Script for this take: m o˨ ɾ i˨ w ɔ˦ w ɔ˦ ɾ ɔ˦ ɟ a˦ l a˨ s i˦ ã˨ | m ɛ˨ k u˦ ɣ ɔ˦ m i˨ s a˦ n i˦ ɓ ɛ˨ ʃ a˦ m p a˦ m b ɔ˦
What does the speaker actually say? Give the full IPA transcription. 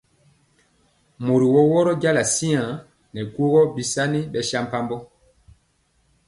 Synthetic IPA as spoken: m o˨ ɾ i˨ w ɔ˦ w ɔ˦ ɾ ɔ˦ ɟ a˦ l a˨ s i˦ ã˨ | n ɛ˨ k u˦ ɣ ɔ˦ b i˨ s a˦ n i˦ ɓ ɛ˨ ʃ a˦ m p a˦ m b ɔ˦